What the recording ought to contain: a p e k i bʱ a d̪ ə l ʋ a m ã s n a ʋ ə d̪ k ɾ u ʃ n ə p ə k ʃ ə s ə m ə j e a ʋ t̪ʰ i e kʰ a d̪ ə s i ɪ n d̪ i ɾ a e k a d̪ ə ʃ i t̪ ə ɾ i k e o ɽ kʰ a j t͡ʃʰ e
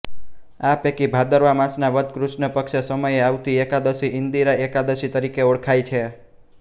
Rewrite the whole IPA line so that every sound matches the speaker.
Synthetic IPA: a p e k i bʱ a d̪ ə ɾ ʋ a m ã s n a ʋ ə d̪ k ɾ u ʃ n ə p ə k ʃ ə s ə m ə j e a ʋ t̪ i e k a d̪ ə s i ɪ n d̪ i ɾ a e k a d̪ ə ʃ i t̪ ə ɾ i k e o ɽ kʰ a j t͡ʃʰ e